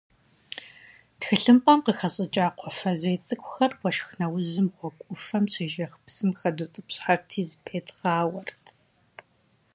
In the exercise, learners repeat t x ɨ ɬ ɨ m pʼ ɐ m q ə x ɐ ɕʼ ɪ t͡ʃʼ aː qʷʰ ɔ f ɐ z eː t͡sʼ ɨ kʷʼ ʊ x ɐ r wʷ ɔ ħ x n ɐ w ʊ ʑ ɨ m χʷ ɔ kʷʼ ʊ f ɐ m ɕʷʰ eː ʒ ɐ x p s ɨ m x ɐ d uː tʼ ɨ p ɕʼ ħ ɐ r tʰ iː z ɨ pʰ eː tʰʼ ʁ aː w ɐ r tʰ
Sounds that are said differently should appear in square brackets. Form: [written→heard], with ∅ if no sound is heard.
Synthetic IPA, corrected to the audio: t x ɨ ɬ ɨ m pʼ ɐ m q ə x ɐ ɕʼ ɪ t͡ʃʼ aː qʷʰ ɔ f ɐ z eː t͡sʼ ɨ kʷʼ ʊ x ɐ r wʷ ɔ [ħ→ʃ] x n ɐ w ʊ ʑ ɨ m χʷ ɔ kʷʼ ʊ f ɐ m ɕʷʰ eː ʒ ɐ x p s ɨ m x ɐ d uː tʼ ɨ p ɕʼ ħ [ɐ→a] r tʰ iː z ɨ pʰ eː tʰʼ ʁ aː w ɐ r tʰ